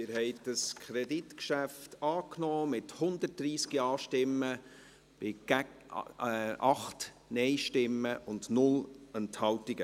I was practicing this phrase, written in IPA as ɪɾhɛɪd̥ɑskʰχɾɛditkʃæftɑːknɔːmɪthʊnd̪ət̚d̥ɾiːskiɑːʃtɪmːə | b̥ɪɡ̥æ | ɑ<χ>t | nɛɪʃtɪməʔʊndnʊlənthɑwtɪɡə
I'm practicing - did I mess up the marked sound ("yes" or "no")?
no